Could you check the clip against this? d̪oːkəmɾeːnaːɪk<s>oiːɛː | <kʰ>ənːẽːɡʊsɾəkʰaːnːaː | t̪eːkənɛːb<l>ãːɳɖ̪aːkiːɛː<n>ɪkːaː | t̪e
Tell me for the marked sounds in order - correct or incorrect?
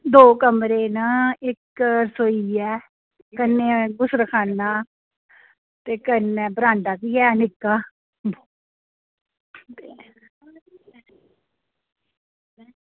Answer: correct, incorrect, incorrect, correct

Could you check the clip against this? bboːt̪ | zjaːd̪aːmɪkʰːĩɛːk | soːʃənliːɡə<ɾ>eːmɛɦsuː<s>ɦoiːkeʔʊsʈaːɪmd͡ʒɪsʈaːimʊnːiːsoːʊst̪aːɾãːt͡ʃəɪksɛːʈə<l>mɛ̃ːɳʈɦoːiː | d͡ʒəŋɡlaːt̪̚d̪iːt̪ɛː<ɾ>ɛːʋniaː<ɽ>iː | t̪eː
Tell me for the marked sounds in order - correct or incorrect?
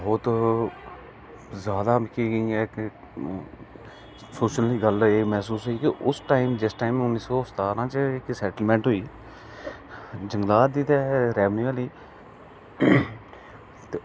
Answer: incorrect, correct, correct, correct, incorrect

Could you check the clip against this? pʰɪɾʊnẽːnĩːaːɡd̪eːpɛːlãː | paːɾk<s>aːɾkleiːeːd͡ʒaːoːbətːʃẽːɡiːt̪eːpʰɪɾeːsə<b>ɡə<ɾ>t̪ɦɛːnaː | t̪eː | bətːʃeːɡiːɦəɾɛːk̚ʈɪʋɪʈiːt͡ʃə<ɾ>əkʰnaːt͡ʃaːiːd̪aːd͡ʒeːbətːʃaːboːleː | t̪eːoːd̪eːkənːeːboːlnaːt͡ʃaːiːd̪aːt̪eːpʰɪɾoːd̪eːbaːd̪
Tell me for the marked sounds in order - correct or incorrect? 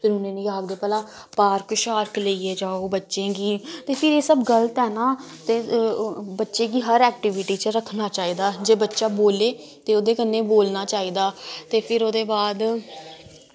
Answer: incorrect, correct, incorrect, correct

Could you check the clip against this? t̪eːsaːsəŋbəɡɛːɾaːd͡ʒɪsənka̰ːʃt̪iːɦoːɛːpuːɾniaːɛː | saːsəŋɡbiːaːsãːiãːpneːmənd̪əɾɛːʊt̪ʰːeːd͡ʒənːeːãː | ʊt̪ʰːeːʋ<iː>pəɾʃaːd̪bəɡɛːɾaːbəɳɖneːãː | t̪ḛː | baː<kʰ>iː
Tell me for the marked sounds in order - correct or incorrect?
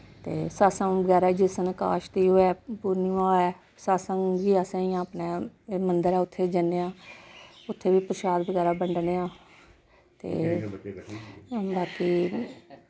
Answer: correct, incorrect

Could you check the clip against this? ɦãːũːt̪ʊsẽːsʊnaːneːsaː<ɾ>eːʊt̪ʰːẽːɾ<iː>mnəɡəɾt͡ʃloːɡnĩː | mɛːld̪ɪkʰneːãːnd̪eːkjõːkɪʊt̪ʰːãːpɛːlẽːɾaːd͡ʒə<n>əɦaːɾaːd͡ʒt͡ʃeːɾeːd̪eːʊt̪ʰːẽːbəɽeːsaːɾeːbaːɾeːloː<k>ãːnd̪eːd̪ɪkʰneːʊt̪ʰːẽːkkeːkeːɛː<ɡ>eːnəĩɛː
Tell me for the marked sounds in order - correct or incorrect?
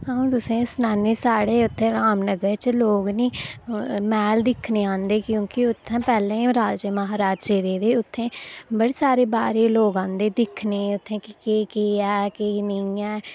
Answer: incorrect, incorrect, incorrect, incorrect, incorrect

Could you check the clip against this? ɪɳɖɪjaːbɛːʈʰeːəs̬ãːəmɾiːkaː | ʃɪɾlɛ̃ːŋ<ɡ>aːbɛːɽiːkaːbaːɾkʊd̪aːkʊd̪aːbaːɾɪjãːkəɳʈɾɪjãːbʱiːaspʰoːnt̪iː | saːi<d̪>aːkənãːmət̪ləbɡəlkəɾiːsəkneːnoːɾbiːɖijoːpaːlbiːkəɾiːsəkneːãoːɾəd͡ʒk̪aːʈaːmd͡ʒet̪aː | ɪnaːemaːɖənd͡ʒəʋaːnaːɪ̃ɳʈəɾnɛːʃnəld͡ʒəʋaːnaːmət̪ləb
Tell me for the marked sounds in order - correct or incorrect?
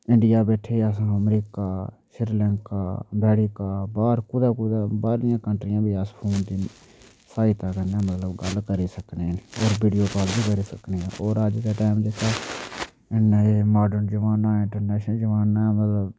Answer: incorrect, incorrect

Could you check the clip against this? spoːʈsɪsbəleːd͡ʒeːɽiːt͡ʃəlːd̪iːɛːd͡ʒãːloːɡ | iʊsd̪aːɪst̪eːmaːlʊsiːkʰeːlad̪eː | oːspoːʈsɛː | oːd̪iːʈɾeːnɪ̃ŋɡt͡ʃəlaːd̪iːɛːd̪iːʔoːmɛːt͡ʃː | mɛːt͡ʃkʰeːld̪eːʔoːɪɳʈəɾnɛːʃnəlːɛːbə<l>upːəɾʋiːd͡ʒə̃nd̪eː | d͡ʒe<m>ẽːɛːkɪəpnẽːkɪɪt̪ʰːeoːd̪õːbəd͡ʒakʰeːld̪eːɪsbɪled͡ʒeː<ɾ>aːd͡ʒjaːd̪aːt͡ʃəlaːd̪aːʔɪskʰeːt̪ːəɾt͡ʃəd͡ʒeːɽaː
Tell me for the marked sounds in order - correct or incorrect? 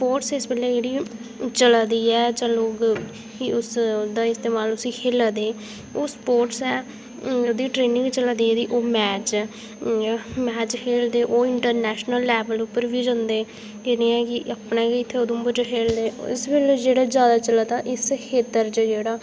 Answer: correct, incorrect, incorrect

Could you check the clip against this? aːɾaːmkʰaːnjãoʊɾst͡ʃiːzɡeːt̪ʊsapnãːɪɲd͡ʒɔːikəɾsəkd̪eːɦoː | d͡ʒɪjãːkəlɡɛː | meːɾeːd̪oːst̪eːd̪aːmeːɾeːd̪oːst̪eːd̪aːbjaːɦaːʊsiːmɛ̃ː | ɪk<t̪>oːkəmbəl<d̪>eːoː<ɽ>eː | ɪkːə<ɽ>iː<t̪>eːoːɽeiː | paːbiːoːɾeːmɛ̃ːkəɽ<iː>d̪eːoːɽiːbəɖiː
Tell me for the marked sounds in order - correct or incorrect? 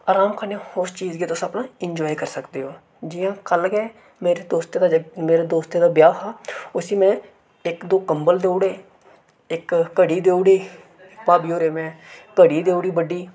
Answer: incorrect, correct, correct, correct, incorrect, correct

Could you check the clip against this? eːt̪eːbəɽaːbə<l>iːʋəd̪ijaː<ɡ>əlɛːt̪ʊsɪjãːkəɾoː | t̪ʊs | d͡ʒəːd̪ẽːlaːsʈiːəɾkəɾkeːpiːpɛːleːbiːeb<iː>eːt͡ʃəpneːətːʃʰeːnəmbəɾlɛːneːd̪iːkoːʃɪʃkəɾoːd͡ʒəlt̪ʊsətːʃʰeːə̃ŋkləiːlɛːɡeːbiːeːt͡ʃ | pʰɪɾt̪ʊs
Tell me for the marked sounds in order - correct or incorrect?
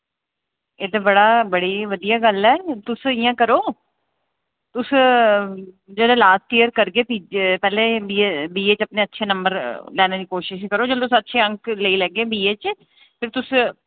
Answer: incorrect, correct, correct

